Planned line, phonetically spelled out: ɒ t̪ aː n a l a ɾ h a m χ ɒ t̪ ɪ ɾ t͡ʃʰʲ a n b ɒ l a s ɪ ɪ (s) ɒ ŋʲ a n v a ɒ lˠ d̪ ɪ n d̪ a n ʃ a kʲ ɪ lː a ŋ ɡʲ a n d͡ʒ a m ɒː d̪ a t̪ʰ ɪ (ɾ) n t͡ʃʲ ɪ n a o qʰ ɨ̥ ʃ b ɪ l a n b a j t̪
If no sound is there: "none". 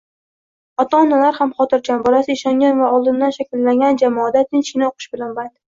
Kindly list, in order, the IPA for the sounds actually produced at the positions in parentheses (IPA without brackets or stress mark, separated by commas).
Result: ʃ, none